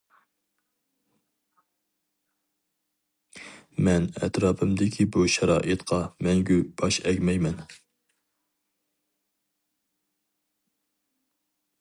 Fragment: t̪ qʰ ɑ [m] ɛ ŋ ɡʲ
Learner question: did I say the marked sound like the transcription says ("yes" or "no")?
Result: yes